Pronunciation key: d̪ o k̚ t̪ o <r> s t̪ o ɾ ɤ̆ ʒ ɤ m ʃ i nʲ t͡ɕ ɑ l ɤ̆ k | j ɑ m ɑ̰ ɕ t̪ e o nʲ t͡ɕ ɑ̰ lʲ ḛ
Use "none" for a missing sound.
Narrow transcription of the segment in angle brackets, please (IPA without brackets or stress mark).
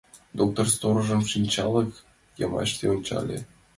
r